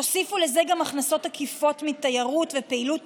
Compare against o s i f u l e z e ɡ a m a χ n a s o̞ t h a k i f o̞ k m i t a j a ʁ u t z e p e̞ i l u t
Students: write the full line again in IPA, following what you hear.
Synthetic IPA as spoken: o s i f u l e z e ɡ a m a χ n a s o̞ t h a k i f o̞ t m i t a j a ʁ u t v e p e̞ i l u t